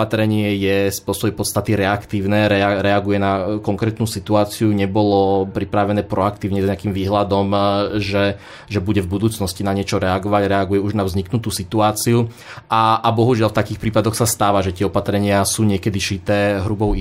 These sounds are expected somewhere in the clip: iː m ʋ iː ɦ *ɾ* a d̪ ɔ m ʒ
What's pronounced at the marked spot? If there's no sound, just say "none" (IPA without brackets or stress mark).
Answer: l